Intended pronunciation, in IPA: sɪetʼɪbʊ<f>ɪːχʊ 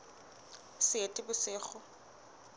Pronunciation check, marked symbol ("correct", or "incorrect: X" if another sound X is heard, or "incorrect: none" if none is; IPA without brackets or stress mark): incorrect: s